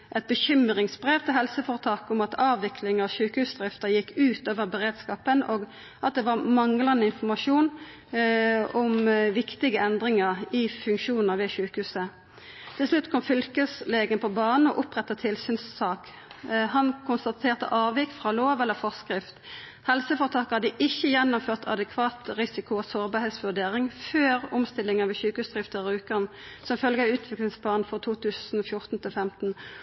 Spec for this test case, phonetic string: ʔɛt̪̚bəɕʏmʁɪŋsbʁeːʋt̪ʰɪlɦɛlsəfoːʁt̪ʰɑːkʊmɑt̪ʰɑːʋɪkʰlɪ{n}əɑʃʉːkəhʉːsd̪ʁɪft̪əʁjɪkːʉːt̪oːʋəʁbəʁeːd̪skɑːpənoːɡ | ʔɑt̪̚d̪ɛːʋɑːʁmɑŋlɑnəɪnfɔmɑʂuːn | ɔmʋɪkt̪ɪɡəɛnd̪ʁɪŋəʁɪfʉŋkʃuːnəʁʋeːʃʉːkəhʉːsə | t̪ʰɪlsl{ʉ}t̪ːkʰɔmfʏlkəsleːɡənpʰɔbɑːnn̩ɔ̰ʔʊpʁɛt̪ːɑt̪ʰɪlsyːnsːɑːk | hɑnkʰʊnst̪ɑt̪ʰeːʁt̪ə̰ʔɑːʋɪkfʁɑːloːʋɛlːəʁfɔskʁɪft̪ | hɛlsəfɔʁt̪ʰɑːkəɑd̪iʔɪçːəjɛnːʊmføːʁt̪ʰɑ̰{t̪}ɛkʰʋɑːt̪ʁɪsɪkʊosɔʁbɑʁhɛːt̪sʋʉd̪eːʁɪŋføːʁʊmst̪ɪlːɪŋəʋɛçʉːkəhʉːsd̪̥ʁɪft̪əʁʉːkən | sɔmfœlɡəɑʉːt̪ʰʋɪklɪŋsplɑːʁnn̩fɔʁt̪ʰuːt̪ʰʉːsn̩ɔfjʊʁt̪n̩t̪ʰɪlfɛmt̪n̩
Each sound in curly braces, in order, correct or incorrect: incorrect, correct, incorrect

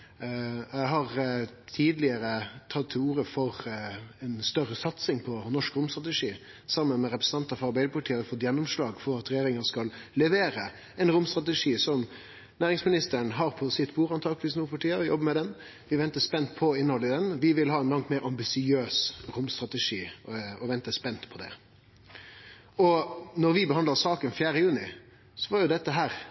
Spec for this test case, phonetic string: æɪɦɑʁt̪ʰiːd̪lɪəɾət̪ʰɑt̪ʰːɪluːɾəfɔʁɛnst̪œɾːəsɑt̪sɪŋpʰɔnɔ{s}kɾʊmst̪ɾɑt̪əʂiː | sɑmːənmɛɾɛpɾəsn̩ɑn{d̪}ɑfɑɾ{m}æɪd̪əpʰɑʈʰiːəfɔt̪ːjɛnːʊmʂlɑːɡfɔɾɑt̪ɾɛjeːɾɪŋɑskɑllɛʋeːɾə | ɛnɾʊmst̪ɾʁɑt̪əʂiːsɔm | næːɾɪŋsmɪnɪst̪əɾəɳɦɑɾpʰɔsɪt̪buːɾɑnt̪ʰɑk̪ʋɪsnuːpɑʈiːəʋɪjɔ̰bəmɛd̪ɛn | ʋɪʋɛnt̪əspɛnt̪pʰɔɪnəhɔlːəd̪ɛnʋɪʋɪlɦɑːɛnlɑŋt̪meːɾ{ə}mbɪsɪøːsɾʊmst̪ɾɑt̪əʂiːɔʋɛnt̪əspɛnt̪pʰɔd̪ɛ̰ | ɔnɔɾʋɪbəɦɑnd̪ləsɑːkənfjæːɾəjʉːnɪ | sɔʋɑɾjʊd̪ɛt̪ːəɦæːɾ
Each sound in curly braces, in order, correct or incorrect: incorrect, incorrect, incorrect, incorrect

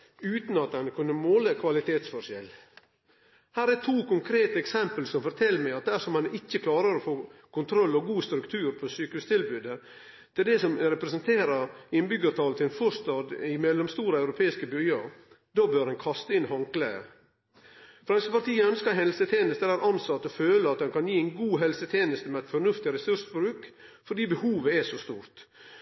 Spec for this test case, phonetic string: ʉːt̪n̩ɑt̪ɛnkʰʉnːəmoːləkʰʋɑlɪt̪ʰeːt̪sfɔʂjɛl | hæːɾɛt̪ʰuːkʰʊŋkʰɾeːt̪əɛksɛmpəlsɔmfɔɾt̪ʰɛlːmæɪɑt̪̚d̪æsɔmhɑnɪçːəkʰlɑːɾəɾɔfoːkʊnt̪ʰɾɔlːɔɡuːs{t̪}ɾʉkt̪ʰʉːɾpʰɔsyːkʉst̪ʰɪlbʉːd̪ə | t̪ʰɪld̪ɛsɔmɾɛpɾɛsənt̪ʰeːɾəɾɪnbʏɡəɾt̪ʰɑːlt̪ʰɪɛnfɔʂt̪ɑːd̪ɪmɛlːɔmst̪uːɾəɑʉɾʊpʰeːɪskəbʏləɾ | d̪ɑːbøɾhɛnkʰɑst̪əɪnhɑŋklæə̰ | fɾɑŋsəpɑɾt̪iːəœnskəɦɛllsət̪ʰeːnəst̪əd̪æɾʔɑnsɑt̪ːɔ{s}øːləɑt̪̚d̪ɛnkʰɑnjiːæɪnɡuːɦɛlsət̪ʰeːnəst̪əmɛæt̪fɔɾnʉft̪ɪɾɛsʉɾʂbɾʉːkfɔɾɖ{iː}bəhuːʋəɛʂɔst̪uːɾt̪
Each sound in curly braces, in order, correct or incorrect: correct, incorrect, correct

